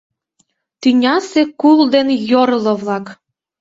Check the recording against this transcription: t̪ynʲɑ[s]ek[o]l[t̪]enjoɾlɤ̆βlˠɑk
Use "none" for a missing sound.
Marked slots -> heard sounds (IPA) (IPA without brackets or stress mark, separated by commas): s, u, d̪